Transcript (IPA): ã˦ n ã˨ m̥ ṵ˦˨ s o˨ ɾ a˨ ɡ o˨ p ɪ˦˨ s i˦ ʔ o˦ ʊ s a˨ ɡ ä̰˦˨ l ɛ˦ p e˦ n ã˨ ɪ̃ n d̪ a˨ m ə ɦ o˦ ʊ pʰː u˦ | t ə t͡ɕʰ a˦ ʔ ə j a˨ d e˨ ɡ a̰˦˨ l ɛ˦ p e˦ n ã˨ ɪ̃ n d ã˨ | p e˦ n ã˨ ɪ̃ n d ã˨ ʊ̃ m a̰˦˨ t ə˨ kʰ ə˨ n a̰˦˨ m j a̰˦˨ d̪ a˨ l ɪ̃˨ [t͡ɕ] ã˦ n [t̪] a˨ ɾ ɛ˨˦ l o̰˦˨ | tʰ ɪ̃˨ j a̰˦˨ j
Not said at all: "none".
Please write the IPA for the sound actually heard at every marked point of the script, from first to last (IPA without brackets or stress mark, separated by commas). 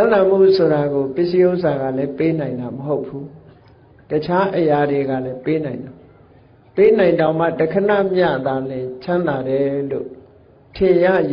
t͡ɕʰ, d̪